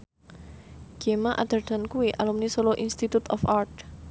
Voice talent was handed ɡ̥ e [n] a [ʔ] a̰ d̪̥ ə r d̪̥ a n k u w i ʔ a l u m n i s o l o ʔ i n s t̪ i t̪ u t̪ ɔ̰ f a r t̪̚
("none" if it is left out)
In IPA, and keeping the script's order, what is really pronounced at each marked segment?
m, ʔ

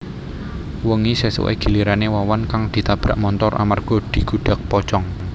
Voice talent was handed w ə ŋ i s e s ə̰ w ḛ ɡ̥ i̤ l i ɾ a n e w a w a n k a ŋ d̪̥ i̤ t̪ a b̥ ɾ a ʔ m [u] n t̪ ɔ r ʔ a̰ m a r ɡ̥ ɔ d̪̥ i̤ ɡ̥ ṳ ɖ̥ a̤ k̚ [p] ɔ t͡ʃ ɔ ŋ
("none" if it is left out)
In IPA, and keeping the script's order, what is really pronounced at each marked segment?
ɔ, p

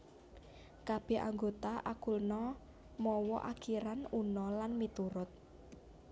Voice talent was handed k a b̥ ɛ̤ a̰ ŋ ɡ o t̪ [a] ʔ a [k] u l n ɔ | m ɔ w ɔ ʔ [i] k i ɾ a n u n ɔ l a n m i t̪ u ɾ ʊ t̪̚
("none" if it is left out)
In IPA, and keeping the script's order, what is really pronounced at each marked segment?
a, k, a

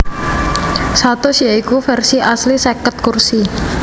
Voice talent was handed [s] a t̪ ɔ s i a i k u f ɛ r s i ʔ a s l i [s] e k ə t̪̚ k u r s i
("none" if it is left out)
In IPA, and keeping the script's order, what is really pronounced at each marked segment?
s, s

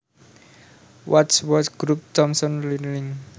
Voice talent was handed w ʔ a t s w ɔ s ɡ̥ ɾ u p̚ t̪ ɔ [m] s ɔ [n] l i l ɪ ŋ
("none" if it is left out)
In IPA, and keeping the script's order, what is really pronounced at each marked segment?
m, n

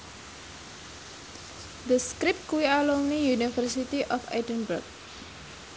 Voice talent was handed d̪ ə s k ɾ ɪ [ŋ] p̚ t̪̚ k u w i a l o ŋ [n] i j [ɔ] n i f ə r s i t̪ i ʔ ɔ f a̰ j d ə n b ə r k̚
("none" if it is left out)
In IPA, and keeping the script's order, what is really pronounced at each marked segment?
none, n, u

